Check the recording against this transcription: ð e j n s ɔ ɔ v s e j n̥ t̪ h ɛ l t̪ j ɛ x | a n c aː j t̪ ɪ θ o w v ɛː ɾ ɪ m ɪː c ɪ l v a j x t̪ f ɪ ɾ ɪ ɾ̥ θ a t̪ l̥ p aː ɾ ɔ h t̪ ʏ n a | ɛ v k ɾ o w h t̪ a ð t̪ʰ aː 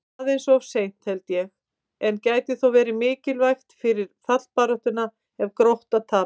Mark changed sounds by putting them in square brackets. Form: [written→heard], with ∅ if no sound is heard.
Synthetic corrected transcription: ð e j n s ɔ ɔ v s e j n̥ t̪ h ɛ l t̪ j ɛ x | [a→ɛ] n c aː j t̪ ɪ θ o w v ɛː ɾ ɪ m ɪː c ɪ l v a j x t̪ f ɪ ɾ ɪ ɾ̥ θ a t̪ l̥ p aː ɾ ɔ h t̪ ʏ n a | ɛ v k ɾ o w h t̪ a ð t̪ʰ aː